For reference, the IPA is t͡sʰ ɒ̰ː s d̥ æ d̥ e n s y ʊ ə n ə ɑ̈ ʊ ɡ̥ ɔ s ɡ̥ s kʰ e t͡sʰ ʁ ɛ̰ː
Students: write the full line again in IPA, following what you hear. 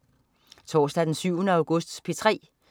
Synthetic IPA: t͡sʰ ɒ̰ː s d̥ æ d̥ e n s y ʊ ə n ə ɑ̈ ʊ ɡ̥ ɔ s d̥ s pʰ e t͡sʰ ʁ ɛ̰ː